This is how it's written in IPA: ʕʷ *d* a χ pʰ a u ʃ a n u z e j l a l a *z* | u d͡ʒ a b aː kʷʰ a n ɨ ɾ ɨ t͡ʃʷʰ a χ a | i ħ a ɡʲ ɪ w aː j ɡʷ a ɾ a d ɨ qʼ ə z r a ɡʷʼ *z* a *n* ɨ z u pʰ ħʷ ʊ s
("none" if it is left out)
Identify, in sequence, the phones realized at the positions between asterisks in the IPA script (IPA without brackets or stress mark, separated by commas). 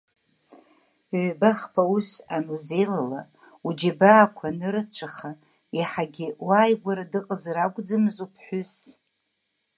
b, none, d͡z, m